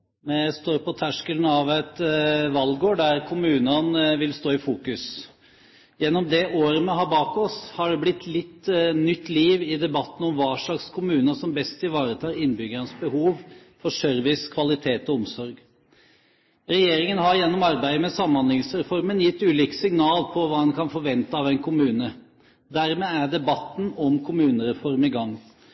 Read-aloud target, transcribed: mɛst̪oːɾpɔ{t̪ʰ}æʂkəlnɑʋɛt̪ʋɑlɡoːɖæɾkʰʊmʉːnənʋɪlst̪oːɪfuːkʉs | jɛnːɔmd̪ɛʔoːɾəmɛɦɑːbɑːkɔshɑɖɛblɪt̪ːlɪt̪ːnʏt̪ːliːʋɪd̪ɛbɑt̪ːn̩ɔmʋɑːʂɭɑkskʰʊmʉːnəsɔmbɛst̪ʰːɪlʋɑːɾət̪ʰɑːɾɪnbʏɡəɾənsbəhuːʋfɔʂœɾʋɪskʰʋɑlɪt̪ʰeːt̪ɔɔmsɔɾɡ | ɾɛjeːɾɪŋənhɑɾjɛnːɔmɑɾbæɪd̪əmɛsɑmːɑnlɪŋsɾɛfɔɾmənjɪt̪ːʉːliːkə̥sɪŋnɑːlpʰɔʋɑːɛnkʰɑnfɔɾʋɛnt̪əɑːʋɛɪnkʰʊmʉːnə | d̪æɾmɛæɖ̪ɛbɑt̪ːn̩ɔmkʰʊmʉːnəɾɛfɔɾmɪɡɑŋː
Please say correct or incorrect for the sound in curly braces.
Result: correct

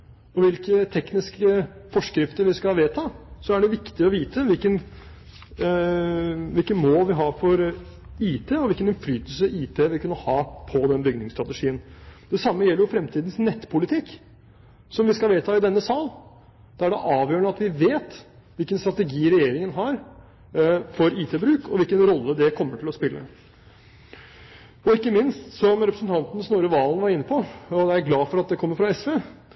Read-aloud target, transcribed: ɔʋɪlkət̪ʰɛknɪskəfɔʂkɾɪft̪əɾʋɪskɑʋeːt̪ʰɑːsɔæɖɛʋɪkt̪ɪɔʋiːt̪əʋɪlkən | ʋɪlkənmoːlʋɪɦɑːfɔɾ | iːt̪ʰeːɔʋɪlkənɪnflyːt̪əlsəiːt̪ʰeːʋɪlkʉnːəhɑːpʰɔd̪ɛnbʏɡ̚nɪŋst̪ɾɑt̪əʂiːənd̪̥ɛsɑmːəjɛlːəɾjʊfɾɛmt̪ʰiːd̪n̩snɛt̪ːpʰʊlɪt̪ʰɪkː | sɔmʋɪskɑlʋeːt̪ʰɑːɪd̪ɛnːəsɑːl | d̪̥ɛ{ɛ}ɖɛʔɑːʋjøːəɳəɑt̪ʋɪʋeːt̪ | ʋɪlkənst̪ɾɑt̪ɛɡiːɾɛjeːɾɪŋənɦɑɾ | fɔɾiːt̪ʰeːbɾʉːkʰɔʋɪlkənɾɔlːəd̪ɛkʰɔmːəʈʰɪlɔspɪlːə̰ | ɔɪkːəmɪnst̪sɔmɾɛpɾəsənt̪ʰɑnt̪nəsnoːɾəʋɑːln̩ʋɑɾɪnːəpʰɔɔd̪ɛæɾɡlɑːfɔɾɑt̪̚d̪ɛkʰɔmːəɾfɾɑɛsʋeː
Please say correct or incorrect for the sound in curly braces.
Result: incorrect: æ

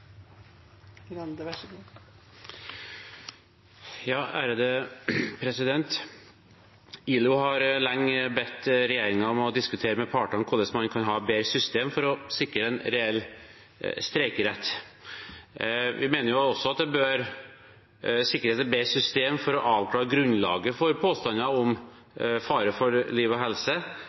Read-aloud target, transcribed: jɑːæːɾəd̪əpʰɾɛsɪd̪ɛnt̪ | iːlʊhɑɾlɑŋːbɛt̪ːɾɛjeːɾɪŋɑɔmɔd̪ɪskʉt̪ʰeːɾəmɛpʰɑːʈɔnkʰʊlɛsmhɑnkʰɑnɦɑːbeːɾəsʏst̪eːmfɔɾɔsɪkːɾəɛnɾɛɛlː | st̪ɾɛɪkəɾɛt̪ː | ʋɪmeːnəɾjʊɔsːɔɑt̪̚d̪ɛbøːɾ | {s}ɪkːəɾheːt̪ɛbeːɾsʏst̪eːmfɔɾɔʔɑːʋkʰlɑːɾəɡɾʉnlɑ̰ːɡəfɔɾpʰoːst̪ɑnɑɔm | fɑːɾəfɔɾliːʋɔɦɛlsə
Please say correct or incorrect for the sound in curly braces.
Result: correct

